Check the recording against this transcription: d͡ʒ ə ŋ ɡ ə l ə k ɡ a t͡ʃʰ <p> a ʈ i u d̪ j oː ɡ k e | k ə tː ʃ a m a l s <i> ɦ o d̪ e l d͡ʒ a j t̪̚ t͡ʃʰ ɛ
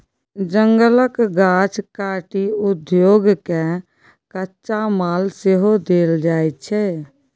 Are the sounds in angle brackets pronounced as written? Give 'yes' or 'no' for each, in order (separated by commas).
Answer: no, no